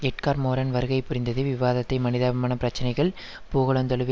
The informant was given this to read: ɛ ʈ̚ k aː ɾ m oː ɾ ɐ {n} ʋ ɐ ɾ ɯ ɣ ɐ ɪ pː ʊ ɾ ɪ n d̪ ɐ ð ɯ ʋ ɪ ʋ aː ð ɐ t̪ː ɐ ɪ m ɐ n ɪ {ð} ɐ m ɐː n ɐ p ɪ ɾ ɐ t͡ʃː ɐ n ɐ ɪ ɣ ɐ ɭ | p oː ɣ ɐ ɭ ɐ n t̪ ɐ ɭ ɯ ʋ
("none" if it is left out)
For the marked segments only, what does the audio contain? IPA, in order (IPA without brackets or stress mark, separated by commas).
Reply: n, ð